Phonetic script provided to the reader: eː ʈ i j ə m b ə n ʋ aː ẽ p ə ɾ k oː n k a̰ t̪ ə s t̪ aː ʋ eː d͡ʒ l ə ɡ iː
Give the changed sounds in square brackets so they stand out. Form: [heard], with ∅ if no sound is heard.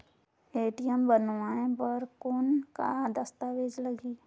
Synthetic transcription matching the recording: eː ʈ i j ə m b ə n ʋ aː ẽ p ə ɾ k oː n k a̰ [d̪] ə s t̪ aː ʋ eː d͡ʒ l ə ɡ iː

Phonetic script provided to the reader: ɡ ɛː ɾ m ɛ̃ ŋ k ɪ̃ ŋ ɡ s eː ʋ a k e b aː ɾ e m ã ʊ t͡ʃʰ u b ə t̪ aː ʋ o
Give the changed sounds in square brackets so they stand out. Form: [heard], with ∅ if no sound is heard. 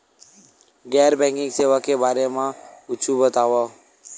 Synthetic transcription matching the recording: ɡ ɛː ɾ [b] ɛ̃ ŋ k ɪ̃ ŋ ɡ s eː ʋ a k e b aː ɾ e m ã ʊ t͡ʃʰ u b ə t̪ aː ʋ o

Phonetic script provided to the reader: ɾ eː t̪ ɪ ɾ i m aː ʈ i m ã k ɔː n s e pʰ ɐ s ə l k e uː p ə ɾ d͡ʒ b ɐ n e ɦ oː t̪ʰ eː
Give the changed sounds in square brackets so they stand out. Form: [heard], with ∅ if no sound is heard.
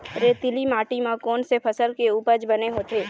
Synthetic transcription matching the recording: ɾ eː t̪ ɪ [l] i m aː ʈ i m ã k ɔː n s e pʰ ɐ s ə l k e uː p ə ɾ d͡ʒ b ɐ n e ɦ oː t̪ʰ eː

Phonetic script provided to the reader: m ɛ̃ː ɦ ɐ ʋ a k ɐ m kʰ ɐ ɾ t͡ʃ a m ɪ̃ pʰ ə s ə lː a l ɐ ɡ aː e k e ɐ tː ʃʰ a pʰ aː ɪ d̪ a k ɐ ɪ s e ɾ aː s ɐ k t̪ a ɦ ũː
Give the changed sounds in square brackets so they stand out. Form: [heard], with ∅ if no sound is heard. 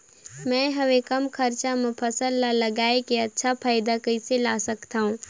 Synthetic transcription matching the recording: m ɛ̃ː ɦ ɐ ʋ [e] k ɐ m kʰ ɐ ɾ t͡ʃ a m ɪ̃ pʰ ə s ə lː a l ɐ ɡ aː e k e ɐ tː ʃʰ a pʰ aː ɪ d̪ a k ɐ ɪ s e [l] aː s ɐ k t̪ a ɦ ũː

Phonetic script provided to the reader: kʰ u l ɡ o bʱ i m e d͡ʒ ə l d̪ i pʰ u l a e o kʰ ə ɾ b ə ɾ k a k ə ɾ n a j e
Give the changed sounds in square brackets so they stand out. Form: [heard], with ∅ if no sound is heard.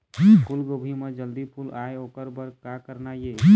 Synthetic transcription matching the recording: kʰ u l ɡ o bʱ i m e d͡ʒ ə l d̪ i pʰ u l a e o [k] ə ɾ b ə ɾ k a k ə ɾ n a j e

